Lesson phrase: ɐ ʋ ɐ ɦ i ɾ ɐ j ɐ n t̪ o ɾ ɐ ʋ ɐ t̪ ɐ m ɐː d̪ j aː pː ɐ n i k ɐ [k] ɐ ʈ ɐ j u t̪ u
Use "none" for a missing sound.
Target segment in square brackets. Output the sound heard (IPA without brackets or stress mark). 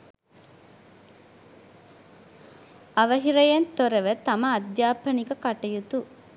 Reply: k